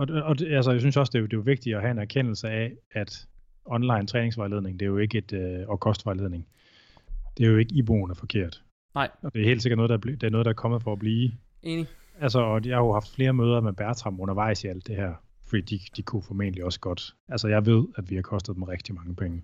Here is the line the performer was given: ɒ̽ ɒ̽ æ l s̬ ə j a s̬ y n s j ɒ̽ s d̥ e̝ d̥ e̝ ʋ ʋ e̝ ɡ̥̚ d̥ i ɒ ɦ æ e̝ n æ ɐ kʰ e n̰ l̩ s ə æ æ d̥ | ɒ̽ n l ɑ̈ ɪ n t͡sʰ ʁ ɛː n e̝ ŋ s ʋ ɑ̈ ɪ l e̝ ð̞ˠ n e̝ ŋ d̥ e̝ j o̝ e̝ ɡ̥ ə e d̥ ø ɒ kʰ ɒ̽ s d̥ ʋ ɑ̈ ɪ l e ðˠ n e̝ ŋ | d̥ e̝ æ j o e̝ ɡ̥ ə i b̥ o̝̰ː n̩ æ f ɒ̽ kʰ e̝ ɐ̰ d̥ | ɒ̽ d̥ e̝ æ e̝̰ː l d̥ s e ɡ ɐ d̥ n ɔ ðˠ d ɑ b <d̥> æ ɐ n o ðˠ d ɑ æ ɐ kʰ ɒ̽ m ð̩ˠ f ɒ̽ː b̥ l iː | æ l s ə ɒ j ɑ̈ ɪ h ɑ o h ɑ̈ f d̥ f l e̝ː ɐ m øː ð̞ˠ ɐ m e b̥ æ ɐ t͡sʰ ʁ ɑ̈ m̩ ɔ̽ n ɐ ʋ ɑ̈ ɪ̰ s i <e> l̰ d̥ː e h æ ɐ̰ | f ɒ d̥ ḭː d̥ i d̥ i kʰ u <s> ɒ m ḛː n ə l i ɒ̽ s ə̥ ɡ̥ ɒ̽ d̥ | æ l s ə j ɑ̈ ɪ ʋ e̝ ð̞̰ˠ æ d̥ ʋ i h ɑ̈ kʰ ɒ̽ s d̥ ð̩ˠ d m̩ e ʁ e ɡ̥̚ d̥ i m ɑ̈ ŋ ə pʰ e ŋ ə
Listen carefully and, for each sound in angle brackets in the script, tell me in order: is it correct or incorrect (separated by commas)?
correct, incorrect, incorrect